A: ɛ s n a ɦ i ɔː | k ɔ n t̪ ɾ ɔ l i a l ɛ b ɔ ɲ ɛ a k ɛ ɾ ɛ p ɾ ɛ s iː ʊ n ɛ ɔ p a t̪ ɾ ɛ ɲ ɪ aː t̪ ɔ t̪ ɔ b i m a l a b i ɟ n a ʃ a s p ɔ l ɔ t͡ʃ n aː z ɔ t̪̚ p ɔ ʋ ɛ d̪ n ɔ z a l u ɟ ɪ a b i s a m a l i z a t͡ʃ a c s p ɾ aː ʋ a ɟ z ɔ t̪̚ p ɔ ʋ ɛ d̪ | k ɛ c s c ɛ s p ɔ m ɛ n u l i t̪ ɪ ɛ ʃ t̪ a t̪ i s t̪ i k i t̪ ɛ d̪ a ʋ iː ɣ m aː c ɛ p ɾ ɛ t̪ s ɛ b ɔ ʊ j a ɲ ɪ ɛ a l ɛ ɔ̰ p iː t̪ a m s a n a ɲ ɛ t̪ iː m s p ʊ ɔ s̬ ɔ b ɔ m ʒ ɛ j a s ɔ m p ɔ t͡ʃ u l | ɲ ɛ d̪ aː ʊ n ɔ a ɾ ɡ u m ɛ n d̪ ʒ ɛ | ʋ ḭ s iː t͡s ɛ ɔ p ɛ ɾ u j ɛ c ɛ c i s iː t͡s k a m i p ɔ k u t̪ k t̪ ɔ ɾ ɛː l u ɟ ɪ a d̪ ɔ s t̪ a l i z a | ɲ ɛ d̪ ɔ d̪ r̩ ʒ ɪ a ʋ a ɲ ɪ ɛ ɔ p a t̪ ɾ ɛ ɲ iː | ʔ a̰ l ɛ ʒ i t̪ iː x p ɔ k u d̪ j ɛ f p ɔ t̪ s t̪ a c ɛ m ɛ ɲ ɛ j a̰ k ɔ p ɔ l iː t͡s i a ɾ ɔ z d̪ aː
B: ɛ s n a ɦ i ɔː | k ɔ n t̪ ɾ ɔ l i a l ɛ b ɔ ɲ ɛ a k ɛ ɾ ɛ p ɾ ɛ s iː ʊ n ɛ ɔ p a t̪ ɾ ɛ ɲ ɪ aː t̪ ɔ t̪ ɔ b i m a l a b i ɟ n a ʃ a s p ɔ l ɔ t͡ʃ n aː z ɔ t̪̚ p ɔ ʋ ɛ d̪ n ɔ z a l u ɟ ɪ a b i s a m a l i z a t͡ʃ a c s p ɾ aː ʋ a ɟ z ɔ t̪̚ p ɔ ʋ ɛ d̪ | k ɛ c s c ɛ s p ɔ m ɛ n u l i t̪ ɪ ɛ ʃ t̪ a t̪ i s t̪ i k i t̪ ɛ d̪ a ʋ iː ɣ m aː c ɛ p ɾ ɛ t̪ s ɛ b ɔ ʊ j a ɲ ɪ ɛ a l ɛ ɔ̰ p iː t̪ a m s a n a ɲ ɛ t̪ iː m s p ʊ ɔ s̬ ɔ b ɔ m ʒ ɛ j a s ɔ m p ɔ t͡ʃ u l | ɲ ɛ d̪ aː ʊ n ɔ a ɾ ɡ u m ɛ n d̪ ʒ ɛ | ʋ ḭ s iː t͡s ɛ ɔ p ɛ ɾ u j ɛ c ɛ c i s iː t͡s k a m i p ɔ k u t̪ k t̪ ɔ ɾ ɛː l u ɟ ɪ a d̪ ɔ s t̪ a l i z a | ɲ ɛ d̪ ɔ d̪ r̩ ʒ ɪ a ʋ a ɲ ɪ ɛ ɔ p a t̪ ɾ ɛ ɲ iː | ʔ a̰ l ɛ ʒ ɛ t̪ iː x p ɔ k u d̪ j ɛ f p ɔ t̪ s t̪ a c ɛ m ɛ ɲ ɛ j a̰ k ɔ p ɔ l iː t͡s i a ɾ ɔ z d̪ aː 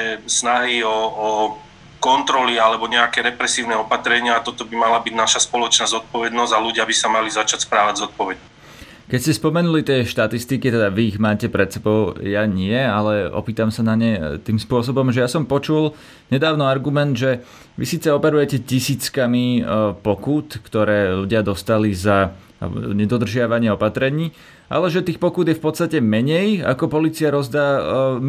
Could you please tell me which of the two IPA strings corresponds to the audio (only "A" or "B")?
B